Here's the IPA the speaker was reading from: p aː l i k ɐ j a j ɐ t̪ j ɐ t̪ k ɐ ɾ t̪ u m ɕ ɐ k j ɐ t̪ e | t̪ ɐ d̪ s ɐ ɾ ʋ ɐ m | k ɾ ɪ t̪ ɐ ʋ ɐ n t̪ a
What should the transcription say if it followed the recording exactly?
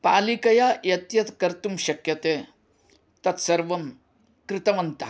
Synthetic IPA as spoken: p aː l i k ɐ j a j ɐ t̪ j ɐ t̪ k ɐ ɾ t̪ u m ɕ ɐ k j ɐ t̪ e | t̪ ɐ t̪ s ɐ ɾ ʋ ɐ m | k ɾ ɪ t̪ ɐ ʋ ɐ n t̪ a

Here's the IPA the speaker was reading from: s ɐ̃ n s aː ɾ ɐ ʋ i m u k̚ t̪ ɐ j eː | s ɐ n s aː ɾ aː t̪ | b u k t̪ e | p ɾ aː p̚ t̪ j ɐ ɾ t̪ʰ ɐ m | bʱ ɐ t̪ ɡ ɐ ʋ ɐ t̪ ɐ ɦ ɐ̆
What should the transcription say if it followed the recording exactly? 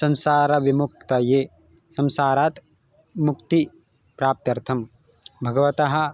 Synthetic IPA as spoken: s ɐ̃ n s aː ɾ ɐ ʋ i m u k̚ t̪ ɐ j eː | s ɐ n s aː ɾ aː t̪ | m u k t̪ i | p ɾ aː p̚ t̪ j ɐ ɾ t̪ʰ ɐ m | bʱ ɐ ɡ ɐ ʋ ɐ t̪ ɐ ɦ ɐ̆

